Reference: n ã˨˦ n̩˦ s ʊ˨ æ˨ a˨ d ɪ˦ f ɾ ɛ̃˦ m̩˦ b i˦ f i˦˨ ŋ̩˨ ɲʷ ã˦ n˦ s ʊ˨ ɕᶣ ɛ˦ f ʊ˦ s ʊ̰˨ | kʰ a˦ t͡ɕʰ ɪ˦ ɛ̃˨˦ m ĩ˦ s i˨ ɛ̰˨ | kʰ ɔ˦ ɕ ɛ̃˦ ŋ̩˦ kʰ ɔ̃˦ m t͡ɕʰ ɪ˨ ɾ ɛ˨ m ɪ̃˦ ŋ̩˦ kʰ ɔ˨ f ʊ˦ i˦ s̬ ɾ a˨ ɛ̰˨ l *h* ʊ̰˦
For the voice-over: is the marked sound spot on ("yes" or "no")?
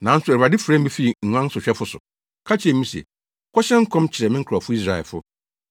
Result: no